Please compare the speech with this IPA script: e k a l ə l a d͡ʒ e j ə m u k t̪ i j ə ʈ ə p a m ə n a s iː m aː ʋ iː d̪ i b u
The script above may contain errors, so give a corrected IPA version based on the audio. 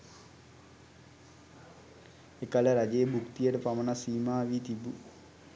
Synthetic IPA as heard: e k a l ə ɾ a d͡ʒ e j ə b u k t̪ i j ə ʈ ə p a m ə n a s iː m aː ʋ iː t̪ i b u